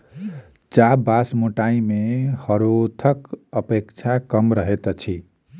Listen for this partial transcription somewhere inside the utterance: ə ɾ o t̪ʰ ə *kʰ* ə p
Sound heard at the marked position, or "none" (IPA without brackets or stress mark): k